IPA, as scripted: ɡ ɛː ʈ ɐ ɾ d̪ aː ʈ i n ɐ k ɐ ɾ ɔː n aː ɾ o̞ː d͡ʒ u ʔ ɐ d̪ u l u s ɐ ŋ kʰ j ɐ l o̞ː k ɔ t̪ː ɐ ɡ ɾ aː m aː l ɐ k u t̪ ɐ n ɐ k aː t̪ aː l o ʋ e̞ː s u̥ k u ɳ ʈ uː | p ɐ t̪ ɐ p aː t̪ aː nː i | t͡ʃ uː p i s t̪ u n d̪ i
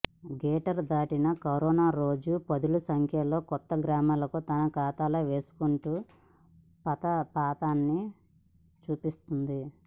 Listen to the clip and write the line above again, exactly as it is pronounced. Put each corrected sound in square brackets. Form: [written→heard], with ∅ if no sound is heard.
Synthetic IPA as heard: ɡ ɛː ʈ ɐ ɾ d̪ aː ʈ i n ɐ k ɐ ɾ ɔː n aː ɾ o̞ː d͡ʒ u [ʔ→p] ɐ d̪ u l u s ɐ ŋ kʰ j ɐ l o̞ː k ɔ t̪ː ɐ ɡ ɾ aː m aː l ɐ k u t̪ ɐ n ɐ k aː t̪ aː l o ʋ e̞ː s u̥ k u ɳ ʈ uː | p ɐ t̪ ɐ p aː t̪ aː nː i | t͡ʃ uː p i s t̪ u n d̪ i

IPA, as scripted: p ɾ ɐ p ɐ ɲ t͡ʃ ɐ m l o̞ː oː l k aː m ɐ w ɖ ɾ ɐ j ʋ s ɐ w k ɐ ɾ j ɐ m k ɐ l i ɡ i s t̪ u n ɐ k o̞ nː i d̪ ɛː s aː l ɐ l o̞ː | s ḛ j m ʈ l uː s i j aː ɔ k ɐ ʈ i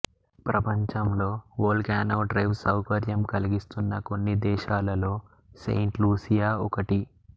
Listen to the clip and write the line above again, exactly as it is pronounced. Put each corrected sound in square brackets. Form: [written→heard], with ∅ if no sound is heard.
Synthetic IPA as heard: p ɾ ɐ p ɐ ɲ t͡ʃ ɐ m l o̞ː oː l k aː [m→n] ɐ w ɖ ɾ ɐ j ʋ s ɐ w k ɐ ɾ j ɐ m k ɐ l i ɡ i s t̪ u [n→nː] ɐ k o̞ nː i d̪ ɛː [s→ʃ] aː l ɐ l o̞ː | s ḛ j [m→ɳ] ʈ l uː s i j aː ɔ k ɐ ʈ i

